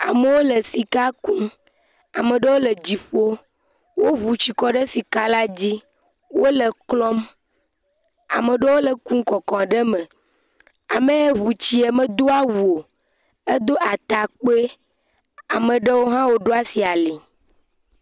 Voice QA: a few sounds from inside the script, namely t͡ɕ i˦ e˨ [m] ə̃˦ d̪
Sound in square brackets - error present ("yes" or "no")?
no